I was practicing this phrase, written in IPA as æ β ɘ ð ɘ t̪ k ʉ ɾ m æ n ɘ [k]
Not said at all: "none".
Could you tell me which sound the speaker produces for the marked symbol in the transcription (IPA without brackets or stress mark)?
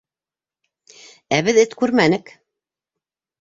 k